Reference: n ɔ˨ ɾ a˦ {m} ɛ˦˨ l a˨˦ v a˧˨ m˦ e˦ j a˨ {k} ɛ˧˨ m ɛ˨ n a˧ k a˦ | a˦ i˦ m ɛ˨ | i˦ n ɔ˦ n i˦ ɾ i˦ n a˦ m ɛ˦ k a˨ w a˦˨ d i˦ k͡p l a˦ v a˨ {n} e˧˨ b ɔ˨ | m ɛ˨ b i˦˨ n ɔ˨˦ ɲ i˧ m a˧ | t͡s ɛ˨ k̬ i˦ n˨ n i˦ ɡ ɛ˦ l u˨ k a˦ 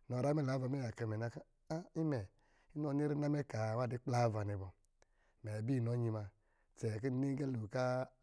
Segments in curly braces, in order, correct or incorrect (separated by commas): correct, correct, correct